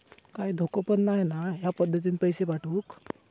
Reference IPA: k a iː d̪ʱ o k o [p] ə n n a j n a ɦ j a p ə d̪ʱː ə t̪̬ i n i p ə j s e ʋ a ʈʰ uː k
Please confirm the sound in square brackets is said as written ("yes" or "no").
yes